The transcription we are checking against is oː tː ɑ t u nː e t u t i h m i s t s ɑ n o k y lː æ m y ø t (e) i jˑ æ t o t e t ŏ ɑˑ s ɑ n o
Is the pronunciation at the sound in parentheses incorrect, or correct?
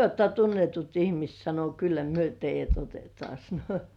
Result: correct